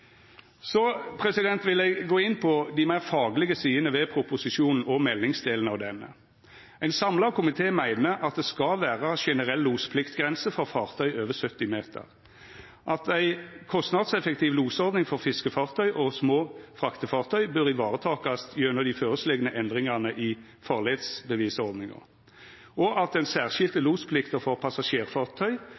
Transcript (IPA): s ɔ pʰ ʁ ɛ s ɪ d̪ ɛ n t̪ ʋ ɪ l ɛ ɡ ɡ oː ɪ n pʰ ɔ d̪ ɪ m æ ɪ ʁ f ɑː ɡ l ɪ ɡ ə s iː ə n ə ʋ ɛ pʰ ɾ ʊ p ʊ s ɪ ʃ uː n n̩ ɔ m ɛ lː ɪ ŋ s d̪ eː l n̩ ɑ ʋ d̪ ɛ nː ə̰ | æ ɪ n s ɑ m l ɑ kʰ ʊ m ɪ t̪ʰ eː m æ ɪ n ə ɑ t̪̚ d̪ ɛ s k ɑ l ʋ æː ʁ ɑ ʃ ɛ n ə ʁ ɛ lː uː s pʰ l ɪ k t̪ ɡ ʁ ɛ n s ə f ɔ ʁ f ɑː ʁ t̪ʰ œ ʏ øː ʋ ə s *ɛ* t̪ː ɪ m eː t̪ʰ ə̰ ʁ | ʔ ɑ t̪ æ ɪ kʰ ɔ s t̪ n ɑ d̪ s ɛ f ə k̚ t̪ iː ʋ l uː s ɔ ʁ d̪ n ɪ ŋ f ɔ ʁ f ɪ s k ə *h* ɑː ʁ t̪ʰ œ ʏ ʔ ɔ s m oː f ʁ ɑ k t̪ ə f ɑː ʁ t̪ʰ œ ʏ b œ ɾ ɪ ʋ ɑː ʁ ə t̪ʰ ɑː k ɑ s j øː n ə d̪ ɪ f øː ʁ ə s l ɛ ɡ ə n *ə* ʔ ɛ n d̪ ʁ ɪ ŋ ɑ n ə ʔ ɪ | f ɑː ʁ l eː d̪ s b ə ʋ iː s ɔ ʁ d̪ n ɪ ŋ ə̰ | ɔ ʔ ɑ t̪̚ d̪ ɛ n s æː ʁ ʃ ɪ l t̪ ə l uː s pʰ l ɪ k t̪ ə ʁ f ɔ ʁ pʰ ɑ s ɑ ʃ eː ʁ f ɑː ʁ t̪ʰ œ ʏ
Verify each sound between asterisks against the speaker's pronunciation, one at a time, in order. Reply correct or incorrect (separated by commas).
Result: incorrect, incorrect, correct